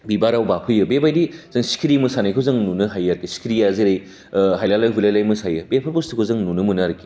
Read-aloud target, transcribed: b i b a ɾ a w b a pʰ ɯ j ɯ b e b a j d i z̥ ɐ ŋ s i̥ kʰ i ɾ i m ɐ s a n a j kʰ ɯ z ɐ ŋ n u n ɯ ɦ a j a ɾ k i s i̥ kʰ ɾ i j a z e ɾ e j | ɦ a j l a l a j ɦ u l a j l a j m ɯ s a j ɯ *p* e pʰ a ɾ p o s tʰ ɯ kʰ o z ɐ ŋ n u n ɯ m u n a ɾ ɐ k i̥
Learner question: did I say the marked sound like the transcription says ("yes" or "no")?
no